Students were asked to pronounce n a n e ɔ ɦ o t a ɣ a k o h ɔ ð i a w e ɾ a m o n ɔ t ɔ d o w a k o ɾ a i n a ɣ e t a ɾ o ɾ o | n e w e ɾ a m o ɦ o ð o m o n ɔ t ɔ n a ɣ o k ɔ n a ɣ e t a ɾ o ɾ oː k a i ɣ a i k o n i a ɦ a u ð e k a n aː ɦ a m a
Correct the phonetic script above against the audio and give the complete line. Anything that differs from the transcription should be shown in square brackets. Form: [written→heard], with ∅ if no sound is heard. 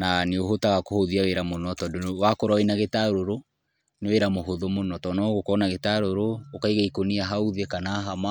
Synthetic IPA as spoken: n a n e [ɔ→o] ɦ o t a ɣ a k o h [ɔ→o] ð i a w e ɾ a m o n ɔ t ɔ d o w a k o ɾ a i n a ɣ e t a ɾ o ɾ o | n e w e ɾ a m o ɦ o ð o m o n ɔ t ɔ n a ɣ o k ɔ n a ɣ e t a ɾ o ɾ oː k a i ɣ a i k o n i a ɦ a u ð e k a n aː ɦ a m a